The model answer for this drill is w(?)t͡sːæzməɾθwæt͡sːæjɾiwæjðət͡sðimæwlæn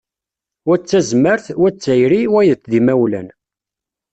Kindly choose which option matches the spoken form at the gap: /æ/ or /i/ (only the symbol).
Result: æ